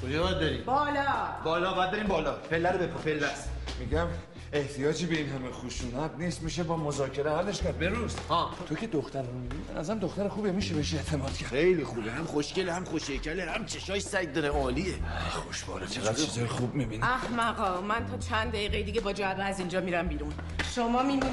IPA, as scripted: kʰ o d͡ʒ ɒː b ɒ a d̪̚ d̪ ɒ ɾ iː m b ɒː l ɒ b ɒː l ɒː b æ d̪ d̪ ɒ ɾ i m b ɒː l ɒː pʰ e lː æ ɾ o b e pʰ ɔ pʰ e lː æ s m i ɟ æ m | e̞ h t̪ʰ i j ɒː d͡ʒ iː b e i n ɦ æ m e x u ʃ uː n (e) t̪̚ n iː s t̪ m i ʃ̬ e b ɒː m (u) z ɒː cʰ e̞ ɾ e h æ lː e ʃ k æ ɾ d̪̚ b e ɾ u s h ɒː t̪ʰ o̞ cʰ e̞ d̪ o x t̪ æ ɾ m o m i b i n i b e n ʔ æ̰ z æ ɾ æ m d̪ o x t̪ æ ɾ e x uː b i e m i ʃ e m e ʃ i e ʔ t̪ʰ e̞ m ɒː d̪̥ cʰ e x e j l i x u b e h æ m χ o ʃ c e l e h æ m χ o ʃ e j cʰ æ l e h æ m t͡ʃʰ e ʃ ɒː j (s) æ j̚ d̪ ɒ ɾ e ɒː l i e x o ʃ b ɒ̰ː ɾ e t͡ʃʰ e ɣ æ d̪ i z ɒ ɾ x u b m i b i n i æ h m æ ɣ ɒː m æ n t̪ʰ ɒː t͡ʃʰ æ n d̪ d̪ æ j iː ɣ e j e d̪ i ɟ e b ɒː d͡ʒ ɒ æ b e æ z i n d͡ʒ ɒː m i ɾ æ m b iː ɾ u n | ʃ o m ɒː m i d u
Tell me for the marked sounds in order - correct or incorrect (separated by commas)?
incorrect, incorrect, correct